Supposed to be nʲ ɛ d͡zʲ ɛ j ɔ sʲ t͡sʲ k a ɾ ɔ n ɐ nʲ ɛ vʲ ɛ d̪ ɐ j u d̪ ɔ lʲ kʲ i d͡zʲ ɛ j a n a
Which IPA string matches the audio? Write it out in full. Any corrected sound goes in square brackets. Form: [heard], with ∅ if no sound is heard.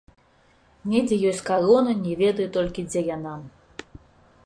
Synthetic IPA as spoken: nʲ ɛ d͡zʲ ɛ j ɔ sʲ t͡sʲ k a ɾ ɔ n ɐ nʲ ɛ vʲ ɛ d̪ ɐ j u [t̪] ɔ lʲ kʲ i d͡zʲ ɛ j a n a